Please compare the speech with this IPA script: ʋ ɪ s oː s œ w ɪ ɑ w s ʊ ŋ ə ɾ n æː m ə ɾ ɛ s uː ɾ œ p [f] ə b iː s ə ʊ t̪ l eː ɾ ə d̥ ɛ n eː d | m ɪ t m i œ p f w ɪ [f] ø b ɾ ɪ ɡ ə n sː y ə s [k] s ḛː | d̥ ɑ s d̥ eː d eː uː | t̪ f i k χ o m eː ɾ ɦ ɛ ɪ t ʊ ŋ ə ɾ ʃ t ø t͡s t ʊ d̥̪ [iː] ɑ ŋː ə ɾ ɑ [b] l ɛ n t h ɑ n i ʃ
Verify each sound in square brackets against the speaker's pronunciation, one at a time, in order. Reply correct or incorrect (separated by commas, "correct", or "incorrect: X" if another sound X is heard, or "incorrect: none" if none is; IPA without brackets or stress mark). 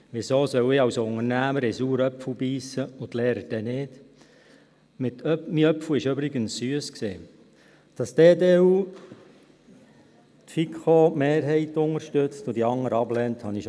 correct, incorrect: ʃ, correct, incorrect: i, correct